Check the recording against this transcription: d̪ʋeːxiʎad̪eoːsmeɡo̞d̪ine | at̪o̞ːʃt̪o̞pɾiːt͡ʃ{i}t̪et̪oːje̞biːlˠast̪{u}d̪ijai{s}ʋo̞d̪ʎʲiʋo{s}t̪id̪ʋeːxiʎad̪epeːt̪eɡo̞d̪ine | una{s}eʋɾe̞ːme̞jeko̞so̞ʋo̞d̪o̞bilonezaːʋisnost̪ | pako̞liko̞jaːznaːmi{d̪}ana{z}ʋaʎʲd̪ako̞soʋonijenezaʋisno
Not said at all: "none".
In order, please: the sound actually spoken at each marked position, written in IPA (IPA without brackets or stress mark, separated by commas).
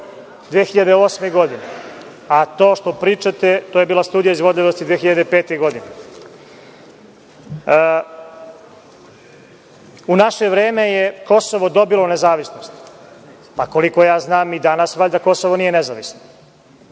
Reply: a, uː, z, s, ʃ, d̪, s